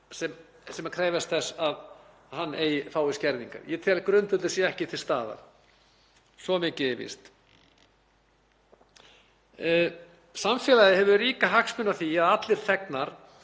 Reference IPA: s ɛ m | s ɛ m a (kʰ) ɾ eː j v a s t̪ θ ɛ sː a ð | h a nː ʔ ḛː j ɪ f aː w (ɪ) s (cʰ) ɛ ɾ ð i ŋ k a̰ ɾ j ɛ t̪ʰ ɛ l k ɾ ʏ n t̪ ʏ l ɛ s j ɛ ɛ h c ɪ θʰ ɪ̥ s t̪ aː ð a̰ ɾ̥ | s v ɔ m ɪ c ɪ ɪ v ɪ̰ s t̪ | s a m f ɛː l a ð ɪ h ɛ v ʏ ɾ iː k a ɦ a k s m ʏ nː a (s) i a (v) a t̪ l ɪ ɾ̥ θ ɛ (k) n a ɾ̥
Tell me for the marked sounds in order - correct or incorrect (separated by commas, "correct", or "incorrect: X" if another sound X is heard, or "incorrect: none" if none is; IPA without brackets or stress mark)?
correct, correct, incorrect: c, incorrect: θ, incorrect: ð, correct